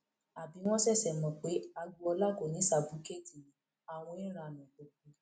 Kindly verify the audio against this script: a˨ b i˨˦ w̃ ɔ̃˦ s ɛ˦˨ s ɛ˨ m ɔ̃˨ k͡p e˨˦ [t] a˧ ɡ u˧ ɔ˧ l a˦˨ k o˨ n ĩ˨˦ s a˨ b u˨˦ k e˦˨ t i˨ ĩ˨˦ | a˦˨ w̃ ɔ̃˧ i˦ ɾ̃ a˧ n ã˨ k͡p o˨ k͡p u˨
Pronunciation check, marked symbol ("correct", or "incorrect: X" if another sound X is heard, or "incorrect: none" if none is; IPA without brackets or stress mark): incorrect: none